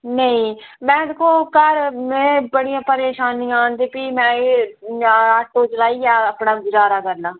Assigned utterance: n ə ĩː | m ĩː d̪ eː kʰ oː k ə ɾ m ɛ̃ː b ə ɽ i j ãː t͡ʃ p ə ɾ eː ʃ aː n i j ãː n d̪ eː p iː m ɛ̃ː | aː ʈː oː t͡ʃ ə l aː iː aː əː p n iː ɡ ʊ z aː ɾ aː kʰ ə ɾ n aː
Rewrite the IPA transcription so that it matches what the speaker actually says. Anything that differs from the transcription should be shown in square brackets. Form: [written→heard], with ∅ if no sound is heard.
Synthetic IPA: n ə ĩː | m [ĩː→ɛ̃ː] d̪ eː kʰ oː k ə ɾ m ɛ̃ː b ə ɽ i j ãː [t͡ʃ→∅] p ə ɾ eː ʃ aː n i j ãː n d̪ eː p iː m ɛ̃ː | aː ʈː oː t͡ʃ ə l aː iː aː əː p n [iː→aː] ɡ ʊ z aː ɾ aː [kʰ→k] ə ɾ n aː